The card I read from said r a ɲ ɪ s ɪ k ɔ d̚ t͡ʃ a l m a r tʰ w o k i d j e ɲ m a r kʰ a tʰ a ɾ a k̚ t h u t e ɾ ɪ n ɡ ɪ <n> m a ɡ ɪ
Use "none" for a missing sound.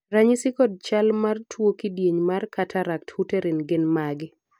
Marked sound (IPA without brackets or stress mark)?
n